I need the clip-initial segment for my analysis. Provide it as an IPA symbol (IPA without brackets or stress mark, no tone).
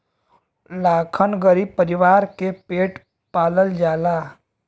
l